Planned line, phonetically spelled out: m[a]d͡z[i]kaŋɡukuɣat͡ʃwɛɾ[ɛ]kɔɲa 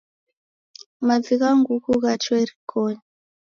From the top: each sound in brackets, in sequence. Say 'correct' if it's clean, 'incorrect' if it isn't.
correct, correct, incorrect: i

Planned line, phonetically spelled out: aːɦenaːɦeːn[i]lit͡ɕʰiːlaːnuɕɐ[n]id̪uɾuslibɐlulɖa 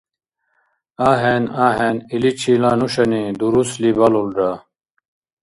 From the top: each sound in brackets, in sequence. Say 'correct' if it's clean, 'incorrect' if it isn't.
correct, correct

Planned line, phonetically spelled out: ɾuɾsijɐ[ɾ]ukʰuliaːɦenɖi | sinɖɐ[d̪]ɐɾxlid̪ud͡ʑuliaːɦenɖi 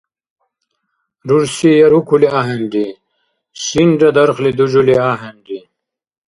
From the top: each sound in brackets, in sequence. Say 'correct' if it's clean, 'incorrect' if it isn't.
correct, correct

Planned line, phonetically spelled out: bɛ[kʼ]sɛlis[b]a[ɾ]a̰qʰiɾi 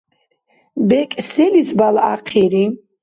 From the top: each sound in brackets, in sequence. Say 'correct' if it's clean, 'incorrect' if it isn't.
correct, correct, incorrect: l

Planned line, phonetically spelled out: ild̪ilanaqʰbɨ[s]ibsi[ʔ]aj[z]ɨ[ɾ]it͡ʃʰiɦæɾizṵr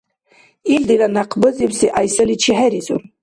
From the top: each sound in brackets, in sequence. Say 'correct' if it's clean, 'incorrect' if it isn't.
incorrect: z, correct, incorrect: s, incorrect: l

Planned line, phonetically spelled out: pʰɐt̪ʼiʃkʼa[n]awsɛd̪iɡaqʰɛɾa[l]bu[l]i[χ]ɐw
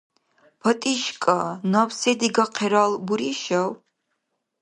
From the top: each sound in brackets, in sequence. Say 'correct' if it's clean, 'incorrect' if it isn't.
correct, correct, incorrect: ɾ, incorrect: ʃ

